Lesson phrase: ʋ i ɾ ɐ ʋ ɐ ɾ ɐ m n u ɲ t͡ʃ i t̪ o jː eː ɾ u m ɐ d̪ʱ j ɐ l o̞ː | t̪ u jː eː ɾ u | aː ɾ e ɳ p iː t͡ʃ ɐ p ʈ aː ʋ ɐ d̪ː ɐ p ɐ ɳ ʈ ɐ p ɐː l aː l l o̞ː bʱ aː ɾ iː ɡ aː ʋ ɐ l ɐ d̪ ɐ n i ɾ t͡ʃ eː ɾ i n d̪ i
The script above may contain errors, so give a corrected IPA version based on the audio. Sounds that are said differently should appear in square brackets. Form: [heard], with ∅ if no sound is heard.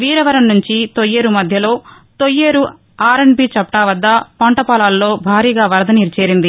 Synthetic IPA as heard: ʋ [iː] ɾ ɐ ʋ ɐ ɾ ɐ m n u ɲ t͡ʃ i t̪ o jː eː ɾ u m ɐ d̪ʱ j ɐ l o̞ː | t̪ [o] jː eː ɾ u | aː ɾ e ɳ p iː t͡ʃ ɐ p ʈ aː ʋ ɐ d̪ː ɐ p ɐ ɳ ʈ ɐ p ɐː l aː l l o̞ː bʱ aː ɾ iː ɡ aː ʋ ɐ [ɾ] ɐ d̪ ɐ n i ɾ t͡ʃ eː ɾ i n d̪ i